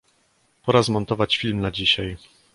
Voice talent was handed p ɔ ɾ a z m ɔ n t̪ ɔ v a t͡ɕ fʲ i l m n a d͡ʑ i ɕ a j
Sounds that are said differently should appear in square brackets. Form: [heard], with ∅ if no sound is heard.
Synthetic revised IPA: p ɔ ɾ a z m ɔ n t̪ ɔ v a t͡ɕ fʲ i l m n a d͡ʑ i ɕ a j